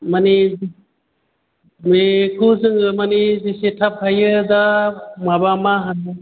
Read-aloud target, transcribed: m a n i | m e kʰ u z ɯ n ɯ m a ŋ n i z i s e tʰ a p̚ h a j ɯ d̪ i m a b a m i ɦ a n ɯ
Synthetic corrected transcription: m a n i | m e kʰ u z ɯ ŋ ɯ m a n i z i s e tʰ a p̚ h a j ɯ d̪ a m a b a m a ɦ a n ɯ